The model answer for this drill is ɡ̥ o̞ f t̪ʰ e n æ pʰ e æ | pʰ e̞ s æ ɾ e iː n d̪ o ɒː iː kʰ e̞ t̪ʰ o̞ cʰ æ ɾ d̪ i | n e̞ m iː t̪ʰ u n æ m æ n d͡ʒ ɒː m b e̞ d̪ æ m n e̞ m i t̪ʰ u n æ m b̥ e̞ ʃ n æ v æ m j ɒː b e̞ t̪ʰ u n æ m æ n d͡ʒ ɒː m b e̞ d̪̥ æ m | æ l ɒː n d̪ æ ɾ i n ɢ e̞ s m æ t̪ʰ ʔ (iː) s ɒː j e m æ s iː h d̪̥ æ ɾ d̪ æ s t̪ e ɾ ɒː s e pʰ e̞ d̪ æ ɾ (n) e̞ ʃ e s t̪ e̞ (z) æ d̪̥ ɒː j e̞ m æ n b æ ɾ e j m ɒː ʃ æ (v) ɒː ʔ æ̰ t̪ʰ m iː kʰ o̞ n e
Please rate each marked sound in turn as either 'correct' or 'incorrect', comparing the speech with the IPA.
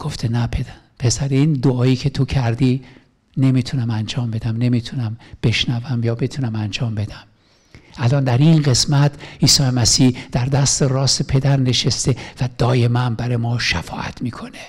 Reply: correct, correct, incorrect: v, incorrect: f

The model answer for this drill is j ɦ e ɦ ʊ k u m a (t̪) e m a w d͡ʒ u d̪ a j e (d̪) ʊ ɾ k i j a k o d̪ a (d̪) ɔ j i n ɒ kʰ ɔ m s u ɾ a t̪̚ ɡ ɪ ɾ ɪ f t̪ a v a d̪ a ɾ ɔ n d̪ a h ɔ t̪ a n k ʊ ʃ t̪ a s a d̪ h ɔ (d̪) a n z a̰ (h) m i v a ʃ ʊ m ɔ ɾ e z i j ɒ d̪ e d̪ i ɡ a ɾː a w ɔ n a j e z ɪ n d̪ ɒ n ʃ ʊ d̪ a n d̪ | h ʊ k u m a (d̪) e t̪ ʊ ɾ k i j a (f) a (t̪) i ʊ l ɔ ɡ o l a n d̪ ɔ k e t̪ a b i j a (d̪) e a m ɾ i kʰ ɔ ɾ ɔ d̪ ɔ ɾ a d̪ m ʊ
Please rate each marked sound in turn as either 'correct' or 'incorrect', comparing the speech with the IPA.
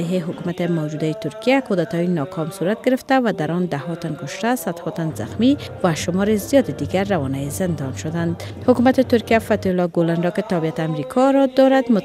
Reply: correct, incorrect: t̪, incorrect: t̪, incorrect: t̪, incorrect: x, incorrect: t̪, correct, correct, incorrect: t̪

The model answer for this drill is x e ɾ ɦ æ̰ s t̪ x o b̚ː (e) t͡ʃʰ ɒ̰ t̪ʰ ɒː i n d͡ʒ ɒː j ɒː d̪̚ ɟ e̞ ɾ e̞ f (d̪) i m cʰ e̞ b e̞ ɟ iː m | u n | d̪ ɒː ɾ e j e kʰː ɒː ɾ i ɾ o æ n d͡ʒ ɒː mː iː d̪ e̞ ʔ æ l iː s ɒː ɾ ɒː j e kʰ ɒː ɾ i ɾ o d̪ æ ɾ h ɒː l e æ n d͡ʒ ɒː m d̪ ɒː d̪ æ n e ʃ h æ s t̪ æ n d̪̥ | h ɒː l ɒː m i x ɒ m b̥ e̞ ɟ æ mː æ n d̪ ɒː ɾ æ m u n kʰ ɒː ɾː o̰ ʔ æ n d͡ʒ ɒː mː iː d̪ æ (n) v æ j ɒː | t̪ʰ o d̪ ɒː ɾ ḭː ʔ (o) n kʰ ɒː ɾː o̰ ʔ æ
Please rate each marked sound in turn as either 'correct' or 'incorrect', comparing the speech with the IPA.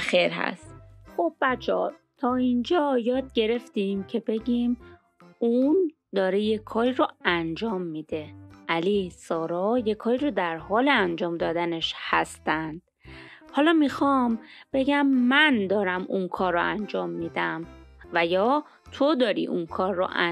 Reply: incorrect: æ, incorrect: t̪, incorrect: m, incorrect: u

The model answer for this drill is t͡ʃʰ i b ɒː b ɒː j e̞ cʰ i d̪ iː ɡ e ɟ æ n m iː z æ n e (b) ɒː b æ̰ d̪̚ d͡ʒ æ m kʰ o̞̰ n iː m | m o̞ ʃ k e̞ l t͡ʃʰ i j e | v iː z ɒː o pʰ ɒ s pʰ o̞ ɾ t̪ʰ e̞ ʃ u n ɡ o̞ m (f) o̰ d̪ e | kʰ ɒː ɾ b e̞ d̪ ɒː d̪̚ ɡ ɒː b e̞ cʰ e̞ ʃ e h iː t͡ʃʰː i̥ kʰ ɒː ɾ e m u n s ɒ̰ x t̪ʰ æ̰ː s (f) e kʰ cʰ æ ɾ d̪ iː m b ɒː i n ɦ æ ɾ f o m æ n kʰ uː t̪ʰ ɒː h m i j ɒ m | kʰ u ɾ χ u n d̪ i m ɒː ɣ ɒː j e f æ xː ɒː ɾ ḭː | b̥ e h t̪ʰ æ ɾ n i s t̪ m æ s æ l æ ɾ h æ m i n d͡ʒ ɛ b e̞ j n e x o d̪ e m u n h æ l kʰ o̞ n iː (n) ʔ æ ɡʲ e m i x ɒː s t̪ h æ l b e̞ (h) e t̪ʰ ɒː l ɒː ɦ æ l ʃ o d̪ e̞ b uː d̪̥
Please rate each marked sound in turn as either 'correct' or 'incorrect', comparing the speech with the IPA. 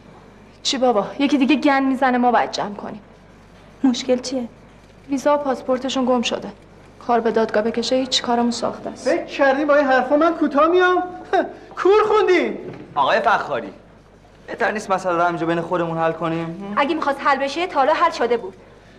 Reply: incorrect: m, incorrect: ʃ, correct, incorrect: m, incorrect: ʃ

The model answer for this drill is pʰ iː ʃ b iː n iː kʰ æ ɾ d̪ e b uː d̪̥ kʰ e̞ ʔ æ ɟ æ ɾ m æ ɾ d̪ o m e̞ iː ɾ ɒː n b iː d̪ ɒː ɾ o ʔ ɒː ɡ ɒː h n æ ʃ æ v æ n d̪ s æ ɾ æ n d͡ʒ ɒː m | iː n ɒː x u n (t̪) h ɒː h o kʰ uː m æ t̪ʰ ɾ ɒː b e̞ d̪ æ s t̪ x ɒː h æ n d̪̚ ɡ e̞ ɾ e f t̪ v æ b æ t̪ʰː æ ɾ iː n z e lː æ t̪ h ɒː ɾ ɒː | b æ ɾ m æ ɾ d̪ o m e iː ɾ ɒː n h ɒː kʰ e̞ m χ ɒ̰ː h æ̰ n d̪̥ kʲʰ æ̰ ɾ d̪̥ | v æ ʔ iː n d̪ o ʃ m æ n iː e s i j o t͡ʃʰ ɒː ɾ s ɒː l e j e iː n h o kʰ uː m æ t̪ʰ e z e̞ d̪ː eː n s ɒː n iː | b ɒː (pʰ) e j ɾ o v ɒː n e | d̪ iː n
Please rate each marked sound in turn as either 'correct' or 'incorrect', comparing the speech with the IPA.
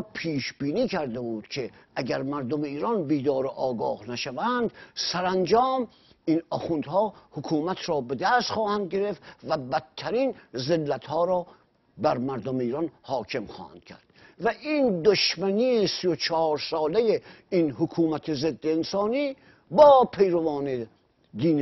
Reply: incorrect: d̪, correct

